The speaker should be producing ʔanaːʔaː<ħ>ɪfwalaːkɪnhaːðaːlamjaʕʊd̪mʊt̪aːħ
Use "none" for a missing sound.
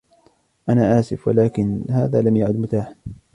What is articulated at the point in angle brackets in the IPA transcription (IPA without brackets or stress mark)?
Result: s